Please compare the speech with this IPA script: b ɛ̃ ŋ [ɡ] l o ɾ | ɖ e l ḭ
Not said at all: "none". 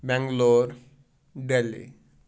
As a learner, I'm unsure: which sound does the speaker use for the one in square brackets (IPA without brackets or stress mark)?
ɡ